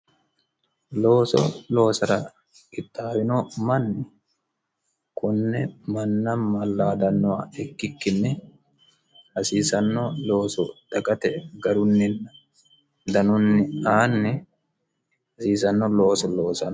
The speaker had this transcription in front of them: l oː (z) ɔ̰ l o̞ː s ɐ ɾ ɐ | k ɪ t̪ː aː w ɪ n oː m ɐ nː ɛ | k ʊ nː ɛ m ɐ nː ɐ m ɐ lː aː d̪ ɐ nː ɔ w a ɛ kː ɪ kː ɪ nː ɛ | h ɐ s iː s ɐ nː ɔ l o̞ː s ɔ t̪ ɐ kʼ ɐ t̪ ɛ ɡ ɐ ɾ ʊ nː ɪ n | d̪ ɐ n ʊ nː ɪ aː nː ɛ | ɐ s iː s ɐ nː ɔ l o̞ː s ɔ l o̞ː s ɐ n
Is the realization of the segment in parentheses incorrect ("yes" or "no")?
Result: yes